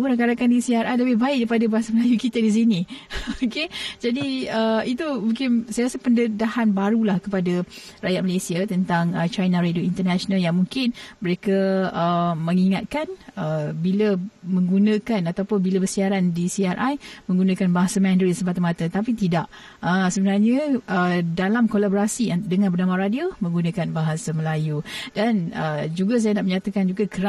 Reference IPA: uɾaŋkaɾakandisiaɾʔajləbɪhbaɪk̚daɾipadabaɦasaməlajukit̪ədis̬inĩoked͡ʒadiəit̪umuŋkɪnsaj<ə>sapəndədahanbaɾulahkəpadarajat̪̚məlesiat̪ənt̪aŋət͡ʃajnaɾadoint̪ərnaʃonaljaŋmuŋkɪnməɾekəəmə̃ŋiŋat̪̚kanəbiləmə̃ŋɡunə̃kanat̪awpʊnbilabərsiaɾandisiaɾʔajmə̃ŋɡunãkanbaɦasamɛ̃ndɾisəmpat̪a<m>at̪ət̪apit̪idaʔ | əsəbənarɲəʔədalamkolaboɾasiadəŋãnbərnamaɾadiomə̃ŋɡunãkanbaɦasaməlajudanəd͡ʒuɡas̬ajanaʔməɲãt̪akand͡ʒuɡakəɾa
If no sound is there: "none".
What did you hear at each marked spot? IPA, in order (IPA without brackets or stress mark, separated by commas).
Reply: a, m